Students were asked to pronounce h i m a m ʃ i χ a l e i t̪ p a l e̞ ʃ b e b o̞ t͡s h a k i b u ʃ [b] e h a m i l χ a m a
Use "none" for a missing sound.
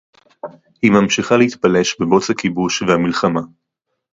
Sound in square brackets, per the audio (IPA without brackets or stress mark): v